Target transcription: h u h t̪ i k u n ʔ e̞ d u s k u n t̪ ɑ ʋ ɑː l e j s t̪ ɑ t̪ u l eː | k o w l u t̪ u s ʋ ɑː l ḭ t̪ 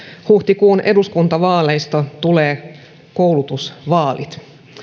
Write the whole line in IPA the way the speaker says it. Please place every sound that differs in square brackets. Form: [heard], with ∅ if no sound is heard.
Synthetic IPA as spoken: h u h t̪ i k [uː] n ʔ e̞ d u s k u n t̪ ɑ ʋ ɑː l e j s t̪ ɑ t̪ u l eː | k o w l u t̪ u s ʋ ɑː l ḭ t̪